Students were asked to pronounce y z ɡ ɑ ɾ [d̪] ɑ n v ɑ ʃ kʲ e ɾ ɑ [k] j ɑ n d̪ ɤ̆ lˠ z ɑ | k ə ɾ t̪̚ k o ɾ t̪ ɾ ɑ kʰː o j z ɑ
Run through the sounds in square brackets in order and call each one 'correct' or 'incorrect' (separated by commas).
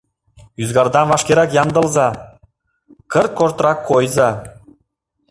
correct, correct